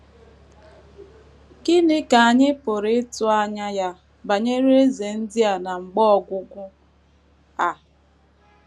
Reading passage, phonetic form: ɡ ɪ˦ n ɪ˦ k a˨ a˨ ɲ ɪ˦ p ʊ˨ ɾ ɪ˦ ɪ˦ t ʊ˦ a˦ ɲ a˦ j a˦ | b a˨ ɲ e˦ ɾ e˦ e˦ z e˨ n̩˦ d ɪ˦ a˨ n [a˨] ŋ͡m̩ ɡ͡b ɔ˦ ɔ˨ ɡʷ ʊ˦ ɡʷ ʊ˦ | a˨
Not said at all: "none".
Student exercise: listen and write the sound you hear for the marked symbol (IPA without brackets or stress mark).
a˨